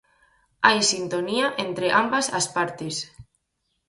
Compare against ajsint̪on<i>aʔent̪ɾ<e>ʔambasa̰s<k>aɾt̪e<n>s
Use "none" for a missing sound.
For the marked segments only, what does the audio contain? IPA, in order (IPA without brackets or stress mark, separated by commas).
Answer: i, e, p, none